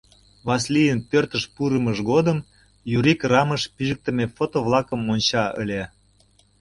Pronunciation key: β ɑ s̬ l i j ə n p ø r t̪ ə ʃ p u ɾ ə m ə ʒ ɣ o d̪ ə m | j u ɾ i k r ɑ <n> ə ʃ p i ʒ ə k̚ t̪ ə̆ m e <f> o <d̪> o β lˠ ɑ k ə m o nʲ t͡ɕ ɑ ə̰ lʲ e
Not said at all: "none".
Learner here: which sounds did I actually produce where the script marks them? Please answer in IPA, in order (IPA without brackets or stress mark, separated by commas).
m, f, t̪